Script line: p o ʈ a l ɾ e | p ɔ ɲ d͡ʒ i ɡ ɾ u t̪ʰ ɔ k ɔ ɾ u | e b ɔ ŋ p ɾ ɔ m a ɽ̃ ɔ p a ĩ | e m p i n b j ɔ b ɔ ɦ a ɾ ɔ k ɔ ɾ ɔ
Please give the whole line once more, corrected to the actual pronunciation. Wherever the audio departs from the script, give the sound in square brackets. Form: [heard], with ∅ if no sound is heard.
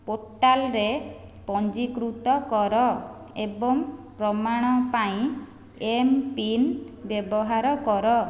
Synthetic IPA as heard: p o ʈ a l ɾ e | p ɔ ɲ d͡ʒ i [k] ɾ u [t̪] ɔ k ɔ ɾ [ɔ] | e b ɔ ŋ p ɾ ɔ m a ɽ̃ ɔ p a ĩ | e m p i n b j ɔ b ɔ ɦ a ɾ ɔ k ɔ ɾ ɔ